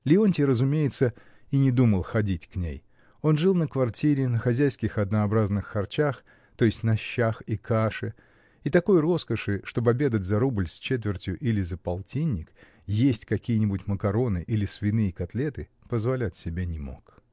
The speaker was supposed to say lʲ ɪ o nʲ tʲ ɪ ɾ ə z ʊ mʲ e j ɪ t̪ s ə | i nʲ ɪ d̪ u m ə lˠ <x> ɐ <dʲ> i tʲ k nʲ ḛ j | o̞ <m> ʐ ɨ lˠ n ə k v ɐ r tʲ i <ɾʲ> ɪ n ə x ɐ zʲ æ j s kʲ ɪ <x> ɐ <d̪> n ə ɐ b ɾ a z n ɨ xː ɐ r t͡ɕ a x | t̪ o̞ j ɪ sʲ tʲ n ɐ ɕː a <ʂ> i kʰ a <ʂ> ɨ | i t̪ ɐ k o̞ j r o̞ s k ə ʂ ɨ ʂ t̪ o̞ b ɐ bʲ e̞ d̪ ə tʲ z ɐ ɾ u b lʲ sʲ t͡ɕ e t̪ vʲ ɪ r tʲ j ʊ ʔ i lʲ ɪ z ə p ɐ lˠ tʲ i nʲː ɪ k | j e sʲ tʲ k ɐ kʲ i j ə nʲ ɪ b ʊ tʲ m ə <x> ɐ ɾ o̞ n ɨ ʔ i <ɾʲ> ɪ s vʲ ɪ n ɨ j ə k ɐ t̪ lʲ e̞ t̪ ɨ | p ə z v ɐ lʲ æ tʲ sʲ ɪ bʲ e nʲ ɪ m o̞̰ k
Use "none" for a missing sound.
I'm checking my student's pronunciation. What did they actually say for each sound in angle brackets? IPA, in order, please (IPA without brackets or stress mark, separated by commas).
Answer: x, dʲ, n, ɾʲ, x, d̪, x, ʂ, k, lʲ